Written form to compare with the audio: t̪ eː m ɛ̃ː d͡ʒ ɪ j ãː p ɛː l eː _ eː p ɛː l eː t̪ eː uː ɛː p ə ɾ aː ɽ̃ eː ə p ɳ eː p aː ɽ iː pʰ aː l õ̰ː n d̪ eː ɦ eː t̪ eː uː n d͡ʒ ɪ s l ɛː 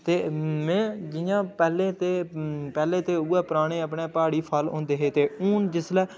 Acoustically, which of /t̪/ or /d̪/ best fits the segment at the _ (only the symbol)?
t̪